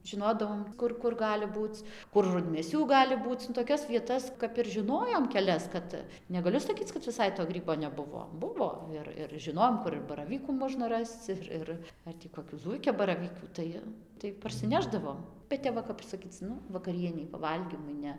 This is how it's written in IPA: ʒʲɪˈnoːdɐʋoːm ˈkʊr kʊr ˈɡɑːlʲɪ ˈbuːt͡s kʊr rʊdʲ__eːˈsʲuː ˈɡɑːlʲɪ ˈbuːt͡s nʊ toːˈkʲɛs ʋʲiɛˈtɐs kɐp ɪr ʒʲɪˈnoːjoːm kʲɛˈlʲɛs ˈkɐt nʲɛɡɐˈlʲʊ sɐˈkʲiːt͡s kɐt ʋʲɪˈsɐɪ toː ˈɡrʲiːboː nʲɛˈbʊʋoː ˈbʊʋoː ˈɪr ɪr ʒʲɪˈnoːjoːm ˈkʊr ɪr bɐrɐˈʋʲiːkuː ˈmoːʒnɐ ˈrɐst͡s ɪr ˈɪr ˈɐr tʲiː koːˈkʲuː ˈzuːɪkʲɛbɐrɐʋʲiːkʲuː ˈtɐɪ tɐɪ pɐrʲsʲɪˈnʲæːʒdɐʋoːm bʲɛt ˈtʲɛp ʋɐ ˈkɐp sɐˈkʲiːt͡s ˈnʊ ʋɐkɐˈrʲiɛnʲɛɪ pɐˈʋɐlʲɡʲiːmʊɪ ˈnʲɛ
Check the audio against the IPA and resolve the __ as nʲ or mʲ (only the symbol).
mʲ